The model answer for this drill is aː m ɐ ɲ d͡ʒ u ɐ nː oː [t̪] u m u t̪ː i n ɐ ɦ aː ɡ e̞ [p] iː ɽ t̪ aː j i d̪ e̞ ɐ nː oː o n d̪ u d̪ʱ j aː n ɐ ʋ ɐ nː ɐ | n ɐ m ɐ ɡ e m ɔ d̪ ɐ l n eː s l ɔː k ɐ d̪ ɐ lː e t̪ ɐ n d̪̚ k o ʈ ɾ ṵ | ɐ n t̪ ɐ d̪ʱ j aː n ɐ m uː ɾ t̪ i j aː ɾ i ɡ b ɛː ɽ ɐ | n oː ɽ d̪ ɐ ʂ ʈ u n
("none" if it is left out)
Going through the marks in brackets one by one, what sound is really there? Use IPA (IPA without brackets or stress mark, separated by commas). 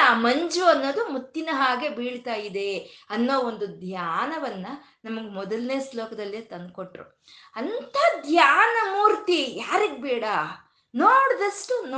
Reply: d̪, b